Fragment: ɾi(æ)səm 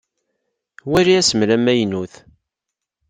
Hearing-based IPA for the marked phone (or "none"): æ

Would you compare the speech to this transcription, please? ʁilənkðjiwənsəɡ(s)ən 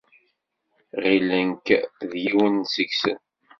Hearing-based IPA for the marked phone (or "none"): s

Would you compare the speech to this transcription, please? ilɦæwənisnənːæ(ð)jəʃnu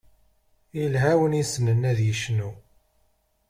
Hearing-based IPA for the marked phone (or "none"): ð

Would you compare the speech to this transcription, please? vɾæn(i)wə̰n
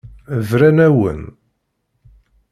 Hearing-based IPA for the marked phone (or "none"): æ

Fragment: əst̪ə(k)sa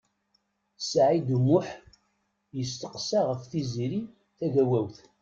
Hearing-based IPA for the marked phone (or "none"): q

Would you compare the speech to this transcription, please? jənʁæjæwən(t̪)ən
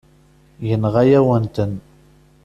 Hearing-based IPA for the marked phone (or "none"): t̪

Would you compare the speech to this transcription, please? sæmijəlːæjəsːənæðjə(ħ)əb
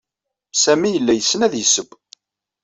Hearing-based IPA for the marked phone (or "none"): s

